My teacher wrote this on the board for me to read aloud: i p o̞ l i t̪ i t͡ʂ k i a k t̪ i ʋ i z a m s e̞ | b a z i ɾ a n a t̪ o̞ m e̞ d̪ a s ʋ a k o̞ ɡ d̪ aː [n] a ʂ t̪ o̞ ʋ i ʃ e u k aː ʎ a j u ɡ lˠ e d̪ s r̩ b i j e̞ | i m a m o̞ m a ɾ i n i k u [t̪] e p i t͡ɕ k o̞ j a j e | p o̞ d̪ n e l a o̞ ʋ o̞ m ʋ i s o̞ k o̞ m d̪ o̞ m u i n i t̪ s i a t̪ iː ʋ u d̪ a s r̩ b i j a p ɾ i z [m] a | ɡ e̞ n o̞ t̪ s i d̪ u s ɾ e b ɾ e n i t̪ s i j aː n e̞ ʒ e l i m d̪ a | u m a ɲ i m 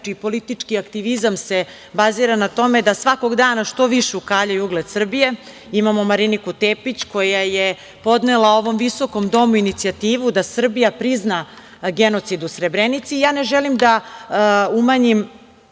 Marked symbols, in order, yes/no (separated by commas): yes, yes, no